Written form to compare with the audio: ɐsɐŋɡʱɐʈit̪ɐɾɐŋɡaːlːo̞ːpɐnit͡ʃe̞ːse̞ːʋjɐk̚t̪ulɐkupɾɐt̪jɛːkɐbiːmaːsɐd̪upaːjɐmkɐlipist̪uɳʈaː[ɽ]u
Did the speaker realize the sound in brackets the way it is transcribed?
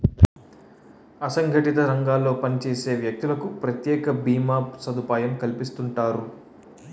no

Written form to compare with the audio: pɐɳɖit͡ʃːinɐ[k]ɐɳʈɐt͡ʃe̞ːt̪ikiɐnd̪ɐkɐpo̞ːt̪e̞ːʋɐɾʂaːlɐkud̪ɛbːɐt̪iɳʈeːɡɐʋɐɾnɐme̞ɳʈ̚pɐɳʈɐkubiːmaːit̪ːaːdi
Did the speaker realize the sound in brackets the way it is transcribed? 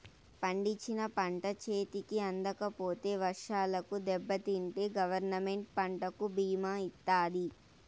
no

